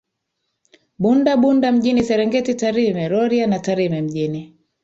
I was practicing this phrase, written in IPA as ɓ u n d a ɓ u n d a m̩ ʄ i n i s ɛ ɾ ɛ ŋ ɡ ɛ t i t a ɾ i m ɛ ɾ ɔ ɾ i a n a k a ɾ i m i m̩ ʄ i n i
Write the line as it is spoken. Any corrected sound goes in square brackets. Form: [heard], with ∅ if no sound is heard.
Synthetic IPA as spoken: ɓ u n d a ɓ u n d a m̩ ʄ i n i s ɛ ɾ ɛ ŋ ɡ ɛ t i t a ɾ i m ɛ ɾ ɔ ɾ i a n a [t] a ɾ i m [ɛ] m̩ ʄ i n i